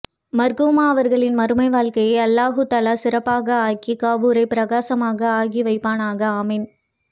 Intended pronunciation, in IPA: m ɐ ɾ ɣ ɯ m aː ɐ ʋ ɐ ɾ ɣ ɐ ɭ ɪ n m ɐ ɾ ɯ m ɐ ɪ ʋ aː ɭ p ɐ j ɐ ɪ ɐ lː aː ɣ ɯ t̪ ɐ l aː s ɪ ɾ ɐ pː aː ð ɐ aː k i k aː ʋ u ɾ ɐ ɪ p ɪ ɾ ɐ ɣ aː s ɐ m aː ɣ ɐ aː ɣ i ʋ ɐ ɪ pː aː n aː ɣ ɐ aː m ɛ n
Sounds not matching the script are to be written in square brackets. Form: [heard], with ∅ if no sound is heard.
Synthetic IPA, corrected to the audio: m ɐ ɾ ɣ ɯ m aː ɐ ʋ ɐ ɾ ɣ ɐ ɭ ɪ n m ɐ ɾ ɯ m ɐ ɪ ʋ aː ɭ [k] ɐ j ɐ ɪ ɐ lː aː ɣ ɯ t̪ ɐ l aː s ɪ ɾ ɐ pː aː [ɣ] ɐ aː k i k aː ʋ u ɾ ɐ ɪ p ɪ ɾ ɐ ɣ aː s ɐ m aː ɣ ɐ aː ɣ i ʋ ɐ ɪ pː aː n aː ɣ ɐ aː m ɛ n